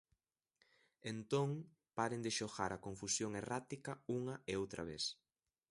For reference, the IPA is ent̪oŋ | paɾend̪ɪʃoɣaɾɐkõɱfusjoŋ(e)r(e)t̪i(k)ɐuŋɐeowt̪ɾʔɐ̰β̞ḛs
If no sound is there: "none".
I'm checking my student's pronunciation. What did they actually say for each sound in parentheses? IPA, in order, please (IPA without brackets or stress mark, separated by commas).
e, a, k